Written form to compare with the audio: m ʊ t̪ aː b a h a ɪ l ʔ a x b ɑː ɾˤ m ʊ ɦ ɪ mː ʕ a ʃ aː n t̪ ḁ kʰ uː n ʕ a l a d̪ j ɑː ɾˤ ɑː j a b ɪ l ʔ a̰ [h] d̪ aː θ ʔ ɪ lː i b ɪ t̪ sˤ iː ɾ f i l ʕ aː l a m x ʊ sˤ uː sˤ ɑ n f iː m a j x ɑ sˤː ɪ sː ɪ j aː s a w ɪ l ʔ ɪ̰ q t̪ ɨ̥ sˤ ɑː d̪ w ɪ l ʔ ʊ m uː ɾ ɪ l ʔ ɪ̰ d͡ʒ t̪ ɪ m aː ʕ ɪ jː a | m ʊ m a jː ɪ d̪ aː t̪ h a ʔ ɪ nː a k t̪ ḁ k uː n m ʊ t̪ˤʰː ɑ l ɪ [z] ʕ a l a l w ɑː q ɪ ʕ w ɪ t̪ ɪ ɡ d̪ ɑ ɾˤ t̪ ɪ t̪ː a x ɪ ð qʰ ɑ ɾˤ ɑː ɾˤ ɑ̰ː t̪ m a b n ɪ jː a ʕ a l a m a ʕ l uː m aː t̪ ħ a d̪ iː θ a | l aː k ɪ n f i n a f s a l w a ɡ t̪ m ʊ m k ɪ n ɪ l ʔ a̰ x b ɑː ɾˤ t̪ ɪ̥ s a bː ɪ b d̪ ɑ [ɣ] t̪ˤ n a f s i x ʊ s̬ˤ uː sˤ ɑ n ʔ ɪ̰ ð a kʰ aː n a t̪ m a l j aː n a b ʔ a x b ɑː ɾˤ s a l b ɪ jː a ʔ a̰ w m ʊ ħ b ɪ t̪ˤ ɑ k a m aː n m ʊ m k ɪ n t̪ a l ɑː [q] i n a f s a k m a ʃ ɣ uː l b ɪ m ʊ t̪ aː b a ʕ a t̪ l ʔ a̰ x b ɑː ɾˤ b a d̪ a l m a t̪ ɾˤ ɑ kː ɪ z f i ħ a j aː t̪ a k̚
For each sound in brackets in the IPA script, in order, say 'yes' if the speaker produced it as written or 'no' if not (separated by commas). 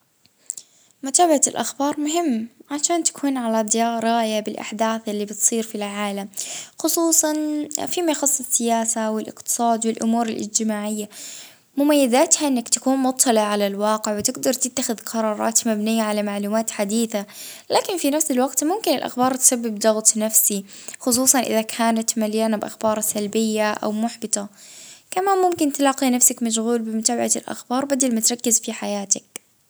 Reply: no, no, yes, yes